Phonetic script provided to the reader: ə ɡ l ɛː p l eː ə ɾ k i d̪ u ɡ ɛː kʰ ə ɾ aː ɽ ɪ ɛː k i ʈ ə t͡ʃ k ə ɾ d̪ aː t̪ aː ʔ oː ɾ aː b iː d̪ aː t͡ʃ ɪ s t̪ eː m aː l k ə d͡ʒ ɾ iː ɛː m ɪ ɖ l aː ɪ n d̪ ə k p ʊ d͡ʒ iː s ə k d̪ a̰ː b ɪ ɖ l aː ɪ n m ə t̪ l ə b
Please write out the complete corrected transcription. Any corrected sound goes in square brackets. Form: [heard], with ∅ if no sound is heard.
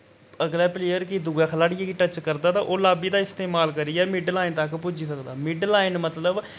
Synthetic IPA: ə ɡ l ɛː p l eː ə ɾ k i d̪ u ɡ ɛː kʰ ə [l] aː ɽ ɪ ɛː k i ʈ ə t͡ʃ k ə ɾ d̪ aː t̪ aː ʔ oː [l] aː b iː d̪ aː [∅] ɪ s t̪ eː m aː l k ə [∅] ɾ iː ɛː m ɪ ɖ l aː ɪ n [t̪] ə k p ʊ d͡ʒ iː s ə k d̪ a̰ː [m] ɪ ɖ l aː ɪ n m ə t̪ l ə b